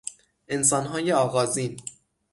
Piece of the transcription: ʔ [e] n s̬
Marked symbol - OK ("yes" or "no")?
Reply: yes